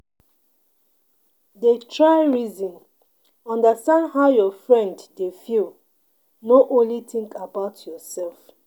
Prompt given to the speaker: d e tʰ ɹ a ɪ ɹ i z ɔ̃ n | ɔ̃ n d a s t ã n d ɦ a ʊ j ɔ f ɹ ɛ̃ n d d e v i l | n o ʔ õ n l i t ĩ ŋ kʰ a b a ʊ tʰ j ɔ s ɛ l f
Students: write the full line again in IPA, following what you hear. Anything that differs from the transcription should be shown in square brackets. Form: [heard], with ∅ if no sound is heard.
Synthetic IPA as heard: d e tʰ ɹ a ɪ ɹ i z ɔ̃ n | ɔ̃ n d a s t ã n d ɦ a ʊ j ɔ f ɹ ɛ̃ n d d e [f] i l | n o ʔ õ n l i t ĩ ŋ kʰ a b a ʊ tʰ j ɔ s ɛ l f